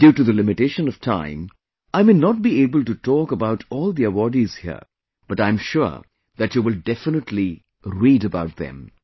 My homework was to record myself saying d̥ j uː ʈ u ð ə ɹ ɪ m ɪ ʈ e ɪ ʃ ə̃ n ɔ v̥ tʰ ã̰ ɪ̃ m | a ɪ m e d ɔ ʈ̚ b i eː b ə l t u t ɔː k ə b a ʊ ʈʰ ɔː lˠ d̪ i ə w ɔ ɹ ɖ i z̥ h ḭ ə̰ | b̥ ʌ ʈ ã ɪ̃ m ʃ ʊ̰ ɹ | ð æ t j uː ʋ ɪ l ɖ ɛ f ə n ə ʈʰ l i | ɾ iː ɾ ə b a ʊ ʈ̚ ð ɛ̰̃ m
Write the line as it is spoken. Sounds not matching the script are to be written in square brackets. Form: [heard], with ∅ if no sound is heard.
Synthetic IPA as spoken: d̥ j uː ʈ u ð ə [l] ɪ m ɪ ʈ e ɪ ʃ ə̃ n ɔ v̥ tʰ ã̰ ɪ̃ m | a ɪ m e [n] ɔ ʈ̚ b i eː b ə l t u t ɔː k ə b a ʊ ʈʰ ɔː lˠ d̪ i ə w ɔ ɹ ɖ i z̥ h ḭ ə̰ | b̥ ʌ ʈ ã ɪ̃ m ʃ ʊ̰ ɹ | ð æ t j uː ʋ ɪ l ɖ ɛ f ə n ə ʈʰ l i | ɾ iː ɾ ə b a ʊ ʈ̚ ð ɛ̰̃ m